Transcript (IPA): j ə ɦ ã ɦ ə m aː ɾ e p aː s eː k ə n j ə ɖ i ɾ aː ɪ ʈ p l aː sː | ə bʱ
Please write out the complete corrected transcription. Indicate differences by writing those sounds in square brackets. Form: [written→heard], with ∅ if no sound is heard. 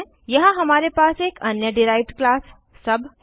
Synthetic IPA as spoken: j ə ɦ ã ɦ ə m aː ɾ e p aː s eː k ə n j ə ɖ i ɾ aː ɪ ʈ [p→k] l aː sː | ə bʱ